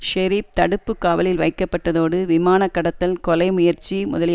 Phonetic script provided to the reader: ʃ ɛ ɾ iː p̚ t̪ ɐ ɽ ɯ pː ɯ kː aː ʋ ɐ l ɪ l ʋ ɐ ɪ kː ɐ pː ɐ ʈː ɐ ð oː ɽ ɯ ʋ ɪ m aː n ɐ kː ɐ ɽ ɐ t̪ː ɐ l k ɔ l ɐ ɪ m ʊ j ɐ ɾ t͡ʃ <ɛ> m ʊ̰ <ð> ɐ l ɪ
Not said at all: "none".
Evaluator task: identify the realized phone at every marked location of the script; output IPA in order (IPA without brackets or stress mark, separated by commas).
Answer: i, ð